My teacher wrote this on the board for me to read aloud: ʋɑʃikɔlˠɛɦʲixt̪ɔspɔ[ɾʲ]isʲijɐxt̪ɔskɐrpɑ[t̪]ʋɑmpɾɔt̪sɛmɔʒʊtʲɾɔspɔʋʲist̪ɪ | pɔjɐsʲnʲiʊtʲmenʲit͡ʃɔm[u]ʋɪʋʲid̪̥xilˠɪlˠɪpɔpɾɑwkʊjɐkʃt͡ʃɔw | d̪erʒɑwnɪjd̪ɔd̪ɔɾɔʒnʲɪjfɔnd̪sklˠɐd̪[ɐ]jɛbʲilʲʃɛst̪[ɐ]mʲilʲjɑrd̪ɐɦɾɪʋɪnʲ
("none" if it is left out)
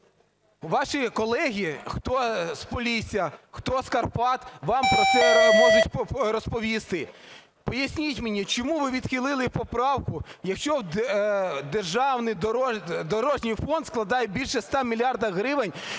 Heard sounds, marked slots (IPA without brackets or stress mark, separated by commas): lʲ, t̪, u, ɑ, ɑ